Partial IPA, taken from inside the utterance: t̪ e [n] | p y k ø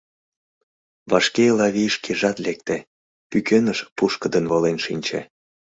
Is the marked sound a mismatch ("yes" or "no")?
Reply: yes